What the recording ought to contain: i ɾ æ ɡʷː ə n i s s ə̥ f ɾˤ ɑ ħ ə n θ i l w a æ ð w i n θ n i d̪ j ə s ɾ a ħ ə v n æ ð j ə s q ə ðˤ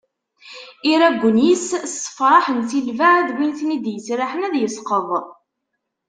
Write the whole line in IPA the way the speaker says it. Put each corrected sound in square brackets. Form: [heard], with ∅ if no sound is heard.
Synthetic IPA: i ɾ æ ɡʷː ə n i s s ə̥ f ɾˤ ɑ ħ ə n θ i l [v] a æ ð w i n θ n i d̪ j ə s ɾ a ħ ə [∅] n æ ð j ə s q ə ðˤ